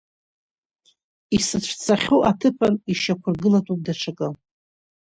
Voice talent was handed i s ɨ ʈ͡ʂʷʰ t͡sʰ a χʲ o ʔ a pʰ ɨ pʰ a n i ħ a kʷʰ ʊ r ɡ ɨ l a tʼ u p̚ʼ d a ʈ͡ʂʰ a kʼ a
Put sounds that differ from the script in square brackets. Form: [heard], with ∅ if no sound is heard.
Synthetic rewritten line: i s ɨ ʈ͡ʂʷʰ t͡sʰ a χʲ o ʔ a [tʰ] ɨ pʰ a n i [ʃ] a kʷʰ ʊ r ɡ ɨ l a tʼ u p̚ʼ d a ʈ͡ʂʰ a kʼ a